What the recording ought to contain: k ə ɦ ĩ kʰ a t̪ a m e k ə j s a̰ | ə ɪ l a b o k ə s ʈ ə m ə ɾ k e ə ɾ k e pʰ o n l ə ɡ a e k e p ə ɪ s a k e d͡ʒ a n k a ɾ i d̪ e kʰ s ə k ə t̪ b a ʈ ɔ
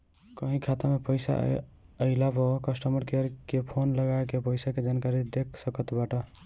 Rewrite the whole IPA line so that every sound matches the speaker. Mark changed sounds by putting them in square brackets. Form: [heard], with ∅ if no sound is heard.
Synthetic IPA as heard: k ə ɦ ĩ kʰ a t̪ a m e [p] ə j s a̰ | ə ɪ l a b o k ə s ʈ ə m ə ɾ k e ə ɾ k e pʰ o n l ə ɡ a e k e p ə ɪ s a k e d͡ʒ a n k a ɾ i d̪ e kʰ s ə k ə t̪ b a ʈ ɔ

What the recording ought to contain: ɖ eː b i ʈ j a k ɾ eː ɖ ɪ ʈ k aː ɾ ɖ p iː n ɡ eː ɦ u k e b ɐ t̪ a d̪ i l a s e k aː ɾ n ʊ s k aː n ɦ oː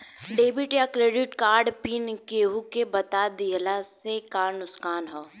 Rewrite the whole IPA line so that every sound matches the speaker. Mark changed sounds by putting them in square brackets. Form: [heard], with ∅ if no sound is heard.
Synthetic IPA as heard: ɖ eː b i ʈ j a k ɾ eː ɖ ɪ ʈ k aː ɾ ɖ p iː n [k] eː ɦ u k e b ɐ t̪ a d̪ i l a s e k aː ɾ n ʊ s k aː n ɦ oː

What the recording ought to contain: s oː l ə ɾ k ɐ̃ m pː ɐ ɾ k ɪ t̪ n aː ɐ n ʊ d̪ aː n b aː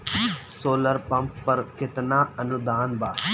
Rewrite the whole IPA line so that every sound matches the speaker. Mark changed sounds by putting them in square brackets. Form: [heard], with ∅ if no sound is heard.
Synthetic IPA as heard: s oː l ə ɾ [p] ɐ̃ m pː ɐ ɾ k ɪ t̪ n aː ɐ n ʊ d̪ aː n b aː

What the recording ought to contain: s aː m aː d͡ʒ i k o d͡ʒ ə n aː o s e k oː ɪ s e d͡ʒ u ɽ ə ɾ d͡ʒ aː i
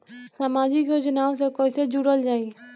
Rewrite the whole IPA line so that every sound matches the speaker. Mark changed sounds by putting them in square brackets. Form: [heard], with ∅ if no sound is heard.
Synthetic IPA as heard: s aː m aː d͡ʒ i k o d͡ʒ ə n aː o s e k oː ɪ s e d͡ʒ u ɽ ə [l] d͡ʒ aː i

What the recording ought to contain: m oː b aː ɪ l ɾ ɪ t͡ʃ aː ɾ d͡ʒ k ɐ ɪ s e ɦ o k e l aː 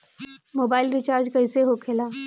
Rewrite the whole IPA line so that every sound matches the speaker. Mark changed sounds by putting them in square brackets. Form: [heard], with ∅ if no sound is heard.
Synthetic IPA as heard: m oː b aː ɪ l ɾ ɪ t͡ʃ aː ɾ d͡ʒ k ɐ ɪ s e ɦ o [kʰ] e l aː

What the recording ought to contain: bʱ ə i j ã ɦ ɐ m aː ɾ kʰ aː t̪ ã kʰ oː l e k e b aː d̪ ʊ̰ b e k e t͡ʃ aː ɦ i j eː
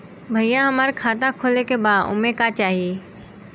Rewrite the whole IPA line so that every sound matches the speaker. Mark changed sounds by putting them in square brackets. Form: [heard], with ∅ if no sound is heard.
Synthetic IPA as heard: bʱ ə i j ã ɦ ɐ m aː ɾ kʰ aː t̪ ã kʰ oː l e k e b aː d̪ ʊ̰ [m] e k [a] t͡ʃ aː ɦ i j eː

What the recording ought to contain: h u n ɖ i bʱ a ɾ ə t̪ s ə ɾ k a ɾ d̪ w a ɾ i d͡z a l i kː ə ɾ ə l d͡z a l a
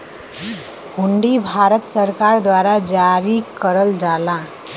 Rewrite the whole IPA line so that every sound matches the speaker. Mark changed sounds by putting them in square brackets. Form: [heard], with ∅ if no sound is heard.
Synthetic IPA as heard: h u [ɳ] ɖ i bʱ a ɾ ə t̪ s ə ɾ k a ɾ d̪ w a ɾ [a] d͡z a [ɾ] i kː ə ɾ ə l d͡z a l a

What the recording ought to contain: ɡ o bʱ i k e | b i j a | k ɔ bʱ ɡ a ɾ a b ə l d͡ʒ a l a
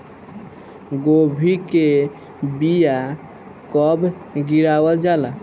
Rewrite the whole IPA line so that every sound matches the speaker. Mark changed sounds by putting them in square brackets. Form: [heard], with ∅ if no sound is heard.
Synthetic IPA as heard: ɡ o bʱ i k e | b i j a | k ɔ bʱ ɡ [i] ɾ a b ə l d͡ʒ a l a

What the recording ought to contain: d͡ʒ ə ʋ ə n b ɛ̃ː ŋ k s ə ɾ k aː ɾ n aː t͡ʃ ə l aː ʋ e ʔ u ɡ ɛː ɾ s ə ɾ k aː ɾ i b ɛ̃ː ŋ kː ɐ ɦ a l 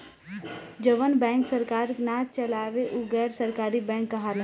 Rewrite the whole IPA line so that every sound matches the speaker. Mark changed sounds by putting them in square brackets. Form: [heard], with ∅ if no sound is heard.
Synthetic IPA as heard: d͡ʒ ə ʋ ə n b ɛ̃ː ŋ k s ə ɾ k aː ɾ n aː t͡ʃ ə l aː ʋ e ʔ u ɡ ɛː ɾ s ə ɾ k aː ɾ i b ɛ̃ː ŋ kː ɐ ɦ a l

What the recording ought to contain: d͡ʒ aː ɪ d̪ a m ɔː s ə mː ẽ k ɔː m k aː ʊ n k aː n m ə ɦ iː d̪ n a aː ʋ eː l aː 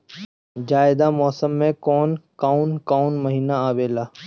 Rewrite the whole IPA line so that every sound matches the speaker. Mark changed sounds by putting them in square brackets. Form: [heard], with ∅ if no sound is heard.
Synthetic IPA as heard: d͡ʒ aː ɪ d̪ a m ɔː s ə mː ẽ k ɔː [n] k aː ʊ n k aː n m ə ɦ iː [∅] n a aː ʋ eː l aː

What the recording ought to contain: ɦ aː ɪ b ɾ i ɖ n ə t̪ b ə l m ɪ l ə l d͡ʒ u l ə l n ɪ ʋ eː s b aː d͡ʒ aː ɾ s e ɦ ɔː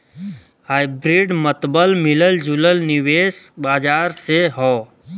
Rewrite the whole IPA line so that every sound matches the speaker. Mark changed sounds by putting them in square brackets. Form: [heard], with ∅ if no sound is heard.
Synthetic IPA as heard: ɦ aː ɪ b ɾ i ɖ [m] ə t̪ b ə l m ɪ l ə l d͡ʒ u l ə l n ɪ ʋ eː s b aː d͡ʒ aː ɾ s e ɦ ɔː

